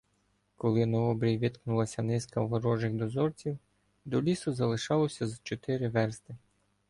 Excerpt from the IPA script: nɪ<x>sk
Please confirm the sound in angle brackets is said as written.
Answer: no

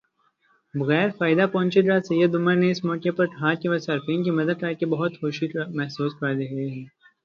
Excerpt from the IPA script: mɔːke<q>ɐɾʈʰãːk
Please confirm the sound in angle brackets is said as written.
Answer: no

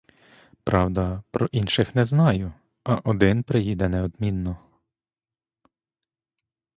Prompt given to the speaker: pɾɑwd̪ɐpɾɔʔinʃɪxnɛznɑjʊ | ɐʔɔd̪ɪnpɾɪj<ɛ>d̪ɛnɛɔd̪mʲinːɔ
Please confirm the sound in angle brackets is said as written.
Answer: no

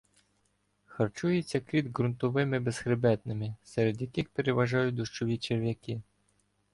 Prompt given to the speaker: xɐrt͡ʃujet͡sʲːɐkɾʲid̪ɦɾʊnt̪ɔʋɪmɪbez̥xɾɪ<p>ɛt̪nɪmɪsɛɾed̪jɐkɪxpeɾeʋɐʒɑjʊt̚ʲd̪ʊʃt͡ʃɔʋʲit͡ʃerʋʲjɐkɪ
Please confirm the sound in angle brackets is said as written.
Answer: no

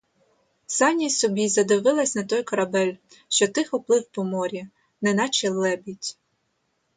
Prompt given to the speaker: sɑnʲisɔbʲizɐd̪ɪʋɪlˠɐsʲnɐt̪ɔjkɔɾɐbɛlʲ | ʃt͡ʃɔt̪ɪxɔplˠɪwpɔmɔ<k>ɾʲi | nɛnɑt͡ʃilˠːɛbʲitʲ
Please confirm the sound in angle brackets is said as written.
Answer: no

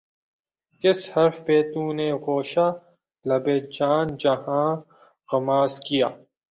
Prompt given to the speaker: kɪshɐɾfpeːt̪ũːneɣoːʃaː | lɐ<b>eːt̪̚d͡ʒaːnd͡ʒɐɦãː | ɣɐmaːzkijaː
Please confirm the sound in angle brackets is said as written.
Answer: yes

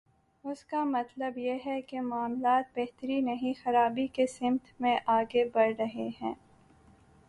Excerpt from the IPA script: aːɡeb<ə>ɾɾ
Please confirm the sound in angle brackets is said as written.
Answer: no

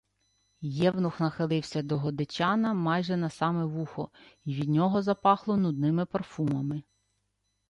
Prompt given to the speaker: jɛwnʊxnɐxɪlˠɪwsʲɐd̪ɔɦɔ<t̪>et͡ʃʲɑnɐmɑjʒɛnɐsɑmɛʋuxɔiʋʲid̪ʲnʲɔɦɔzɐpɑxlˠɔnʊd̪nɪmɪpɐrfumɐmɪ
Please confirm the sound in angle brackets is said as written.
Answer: no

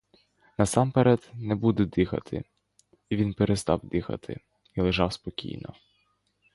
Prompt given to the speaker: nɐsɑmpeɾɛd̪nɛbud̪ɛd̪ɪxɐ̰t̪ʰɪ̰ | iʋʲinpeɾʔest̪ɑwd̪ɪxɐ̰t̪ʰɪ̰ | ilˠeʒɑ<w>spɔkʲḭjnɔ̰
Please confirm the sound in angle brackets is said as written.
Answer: yes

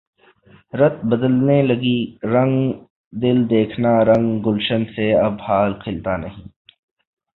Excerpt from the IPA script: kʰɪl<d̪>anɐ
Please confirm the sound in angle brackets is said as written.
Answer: no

